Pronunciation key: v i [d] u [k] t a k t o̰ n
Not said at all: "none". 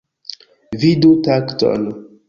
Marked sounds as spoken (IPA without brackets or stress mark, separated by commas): d, none